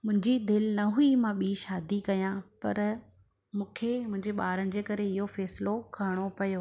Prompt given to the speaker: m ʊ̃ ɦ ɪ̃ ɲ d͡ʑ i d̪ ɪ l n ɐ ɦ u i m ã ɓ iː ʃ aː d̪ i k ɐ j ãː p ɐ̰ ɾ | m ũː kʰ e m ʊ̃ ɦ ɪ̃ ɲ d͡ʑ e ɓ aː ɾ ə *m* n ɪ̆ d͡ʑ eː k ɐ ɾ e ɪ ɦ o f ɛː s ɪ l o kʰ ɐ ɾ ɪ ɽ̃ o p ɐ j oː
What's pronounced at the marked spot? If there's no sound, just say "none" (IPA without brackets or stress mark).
none